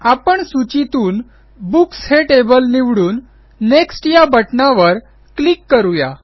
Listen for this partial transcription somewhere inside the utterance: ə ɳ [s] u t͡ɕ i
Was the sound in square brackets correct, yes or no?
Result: yes